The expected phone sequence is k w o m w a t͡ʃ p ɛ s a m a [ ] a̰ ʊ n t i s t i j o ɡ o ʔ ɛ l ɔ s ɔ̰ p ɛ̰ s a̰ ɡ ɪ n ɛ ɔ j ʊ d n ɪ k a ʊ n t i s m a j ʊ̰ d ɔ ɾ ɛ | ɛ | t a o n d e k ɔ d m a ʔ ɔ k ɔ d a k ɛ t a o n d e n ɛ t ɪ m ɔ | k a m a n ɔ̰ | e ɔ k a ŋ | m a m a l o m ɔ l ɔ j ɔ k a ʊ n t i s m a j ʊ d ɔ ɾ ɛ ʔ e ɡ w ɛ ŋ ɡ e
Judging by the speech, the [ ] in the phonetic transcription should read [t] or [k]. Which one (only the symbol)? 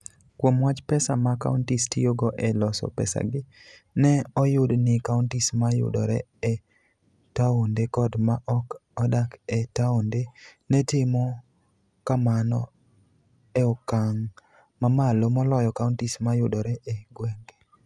k